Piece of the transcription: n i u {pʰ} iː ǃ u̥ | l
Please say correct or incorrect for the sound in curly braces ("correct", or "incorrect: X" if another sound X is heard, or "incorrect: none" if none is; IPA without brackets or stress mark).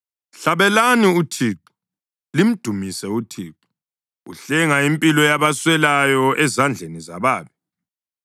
incorrect: tʰ